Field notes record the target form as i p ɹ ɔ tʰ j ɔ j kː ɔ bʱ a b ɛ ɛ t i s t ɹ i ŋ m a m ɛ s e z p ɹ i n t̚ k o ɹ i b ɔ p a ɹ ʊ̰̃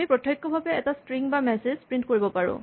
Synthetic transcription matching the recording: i p ɹ ɔ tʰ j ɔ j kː ɔ bʱ a b ɛ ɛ t a s t ɹ i ŋ b a m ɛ s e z p ɹ i n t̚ k o ɹ i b ɔ p a ɹ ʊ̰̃

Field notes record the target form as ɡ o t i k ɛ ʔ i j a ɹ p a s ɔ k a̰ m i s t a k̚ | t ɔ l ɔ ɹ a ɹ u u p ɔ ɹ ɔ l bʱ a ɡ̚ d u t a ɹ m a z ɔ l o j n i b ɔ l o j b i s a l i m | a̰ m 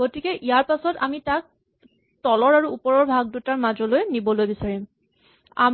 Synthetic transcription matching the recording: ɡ o t i k ɛ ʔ i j a ɹ p a s ɔ t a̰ m i t a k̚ | t ɔ l ɔ ɹ a ɹ u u p ɔ ɹ ɔ ɹ bʱ a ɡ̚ d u t a ɹ m a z ɔ l o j n i b ɔ l o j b i s a ɹ i m | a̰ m

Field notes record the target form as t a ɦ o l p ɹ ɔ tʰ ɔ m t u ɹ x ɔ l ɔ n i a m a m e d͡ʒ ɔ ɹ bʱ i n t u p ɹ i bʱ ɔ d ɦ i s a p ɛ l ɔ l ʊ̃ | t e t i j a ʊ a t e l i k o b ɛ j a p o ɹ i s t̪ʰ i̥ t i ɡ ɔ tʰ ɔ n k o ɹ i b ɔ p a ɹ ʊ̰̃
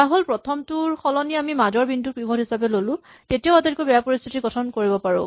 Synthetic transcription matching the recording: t a ɦ o l p ɹ ɔ tʰ ɔ m t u ɹ x ɔ l ɔ n i a m i m a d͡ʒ ɔ ɹ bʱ i n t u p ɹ i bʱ ɔ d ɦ i s a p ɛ l o l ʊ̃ | t e t i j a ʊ a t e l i k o b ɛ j a p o ɹ i s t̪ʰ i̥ t i ɡ ɔ tʰ ɔ n k o ɹ i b ɔ p a ɹ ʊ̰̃

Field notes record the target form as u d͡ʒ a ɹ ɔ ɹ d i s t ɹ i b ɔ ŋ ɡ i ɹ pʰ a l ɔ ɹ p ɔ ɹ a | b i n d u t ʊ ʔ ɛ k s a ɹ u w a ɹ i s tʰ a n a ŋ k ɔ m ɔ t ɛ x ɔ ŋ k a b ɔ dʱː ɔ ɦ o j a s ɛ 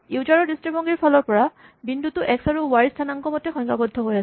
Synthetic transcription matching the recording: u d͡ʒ a ɹ ɔ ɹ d i s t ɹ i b ɔ ŋ ɡ i ɹ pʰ a l ɔ ɹ p ɔ ɹ a | b i n d u t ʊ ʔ ɛ k s a ɹ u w a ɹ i s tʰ a n a ŋ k ɔ m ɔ t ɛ x ɔ ŋ k a b ɔ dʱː ɔ ɦ o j a s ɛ

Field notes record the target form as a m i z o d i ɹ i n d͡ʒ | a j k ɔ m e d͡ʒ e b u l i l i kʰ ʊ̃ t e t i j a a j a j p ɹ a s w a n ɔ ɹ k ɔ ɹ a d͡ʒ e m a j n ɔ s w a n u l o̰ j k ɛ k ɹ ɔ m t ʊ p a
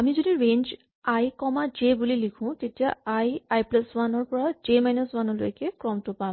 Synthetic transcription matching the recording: a m i z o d i ɹ e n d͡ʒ | a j k ɔ m a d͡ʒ e b u l i l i kʰ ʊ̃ t e t i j a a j a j p l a s w a n ɔ ɹ p ɔ ɹ a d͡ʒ e m a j n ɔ s w a n ɔ l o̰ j k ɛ k ɹ ɔ m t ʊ p a

